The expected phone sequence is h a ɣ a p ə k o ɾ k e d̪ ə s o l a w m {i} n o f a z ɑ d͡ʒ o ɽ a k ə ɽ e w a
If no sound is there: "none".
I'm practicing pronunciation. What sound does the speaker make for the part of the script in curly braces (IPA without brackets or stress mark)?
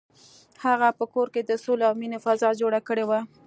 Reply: i